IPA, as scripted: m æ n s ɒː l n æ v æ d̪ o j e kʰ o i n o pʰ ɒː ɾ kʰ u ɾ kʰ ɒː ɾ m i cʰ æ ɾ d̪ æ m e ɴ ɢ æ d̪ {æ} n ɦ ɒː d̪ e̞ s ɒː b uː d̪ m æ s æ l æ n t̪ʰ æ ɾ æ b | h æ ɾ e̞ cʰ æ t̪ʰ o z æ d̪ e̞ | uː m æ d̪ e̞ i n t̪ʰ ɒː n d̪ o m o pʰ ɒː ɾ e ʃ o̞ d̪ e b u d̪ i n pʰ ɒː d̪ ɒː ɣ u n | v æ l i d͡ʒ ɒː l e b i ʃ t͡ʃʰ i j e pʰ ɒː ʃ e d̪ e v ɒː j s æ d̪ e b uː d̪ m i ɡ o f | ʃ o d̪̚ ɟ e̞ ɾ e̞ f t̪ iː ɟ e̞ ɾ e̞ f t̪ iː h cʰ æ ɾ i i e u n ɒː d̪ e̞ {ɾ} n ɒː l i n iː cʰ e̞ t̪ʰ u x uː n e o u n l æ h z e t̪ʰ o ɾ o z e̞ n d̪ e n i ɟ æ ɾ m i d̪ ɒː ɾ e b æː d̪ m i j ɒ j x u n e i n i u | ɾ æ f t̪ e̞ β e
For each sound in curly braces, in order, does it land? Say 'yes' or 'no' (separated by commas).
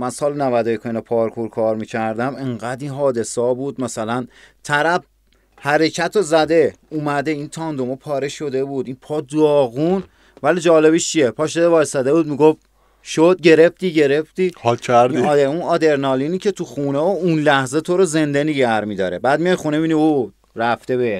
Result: no, yes